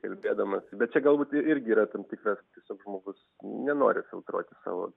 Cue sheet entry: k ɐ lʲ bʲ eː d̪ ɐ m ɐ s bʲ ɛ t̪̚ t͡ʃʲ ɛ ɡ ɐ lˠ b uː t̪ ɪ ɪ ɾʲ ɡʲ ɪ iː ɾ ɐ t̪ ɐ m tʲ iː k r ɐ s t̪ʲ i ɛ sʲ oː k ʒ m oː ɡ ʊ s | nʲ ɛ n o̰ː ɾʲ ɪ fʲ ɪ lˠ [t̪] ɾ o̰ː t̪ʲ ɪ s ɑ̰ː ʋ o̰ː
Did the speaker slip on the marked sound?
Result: no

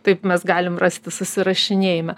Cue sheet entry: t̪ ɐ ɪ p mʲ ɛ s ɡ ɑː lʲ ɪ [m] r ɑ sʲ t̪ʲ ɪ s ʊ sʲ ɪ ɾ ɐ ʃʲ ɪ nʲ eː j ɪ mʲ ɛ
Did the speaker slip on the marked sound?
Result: no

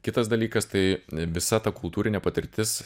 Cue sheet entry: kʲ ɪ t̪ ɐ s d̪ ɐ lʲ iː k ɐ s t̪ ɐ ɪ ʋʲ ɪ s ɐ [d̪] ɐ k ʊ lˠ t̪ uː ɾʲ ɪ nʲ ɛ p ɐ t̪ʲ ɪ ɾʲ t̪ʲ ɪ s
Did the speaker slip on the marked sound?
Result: yes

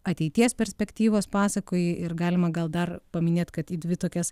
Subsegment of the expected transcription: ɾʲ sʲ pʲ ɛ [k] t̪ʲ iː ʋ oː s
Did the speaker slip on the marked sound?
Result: no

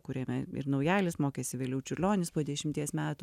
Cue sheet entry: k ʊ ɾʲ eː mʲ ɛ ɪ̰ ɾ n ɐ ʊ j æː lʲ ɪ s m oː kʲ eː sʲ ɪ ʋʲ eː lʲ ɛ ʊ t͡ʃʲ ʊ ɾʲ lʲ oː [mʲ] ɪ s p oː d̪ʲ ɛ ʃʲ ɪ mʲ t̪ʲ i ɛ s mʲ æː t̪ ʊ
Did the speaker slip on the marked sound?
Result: yes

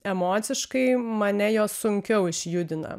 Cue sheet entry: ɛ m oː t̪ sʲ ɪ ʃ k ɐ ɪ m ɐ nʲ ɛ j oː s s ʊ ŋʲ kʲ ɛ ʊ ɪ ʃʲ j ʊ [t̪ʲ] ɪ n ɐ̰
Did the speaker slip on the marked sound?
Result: yes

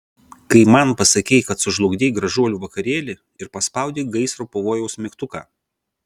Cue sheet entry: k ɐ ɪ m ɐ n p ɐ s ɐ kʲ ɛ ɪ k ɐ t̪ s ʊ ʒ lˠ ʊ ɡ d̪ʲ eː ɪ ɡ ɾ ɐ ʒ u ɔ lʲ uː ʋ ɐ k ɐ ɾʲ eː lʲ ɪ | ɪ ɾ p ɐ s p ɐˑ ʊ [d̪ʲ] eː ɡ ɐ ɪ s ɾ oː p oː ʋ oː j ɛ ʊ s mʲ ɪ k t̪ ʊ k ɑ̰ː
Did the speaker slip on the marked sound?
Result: no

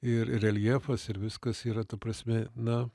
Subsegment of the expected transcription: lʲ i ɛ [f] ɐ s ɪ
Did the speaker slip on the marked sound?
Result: no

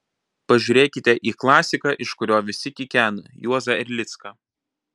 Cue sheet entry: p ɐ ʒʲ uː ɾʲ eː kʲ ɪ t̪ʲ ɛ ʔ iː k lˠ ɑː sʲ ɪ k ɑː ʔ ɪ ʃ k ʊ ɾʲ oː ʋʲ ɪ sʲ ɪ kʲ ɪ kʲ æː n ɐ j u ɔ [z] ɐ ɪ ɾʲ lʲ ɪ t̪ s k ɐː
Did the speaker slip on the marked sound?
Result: no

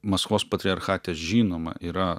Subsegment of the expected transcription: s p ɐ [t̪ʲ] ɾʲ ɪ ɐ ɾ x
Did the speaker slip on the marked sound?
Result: no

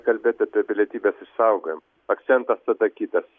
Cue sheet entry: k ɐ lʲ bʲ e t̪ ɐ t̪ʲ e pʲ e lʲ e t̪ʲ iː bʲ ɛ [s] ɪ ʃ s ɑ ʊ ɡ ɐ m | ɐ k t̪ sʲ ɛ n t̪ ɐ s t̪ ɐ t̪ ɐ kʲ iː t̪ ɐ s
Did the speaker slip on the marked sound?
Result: no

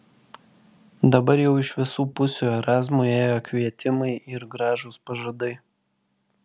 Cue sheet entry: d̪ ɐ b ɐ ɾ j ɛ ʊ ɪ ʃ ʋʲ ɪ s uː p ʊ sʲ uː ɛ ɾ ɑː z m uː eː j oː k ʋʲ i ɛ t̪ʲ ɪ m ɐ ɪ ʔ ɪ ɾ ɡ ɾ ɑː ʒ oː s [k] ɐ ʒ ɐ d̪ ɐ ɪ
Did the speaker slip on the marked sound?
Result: yes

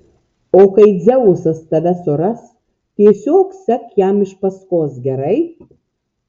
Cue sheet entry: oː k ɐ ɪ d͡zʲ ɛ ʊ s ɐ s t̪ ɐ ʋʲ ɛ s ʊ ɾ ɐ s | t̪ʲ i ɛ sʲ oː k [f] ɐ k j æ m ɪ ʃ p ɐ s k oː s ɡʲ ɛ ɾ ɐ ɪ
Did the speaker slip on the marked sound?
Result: yes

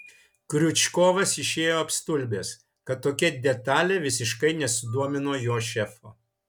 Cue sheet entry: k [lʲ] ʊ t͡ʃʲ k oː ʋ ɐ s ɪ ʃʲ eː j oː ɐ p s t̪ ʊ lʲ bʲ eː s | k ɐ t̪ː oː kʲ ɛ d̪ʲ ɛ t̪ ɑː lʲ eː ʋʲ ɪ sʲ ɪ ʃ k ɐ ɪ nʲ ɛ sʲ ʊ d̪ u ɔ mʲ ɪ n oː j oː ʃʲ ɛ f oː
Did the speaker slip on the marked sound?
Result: yes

